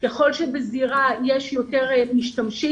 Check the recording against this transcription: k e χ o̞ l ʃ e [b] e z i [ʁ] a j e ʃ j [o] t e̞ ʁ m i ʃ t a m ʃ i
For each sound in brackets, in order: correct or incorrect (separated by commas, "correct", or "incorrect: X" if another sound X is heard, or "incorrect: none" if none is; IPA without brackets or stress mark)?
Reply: correct, correct, correct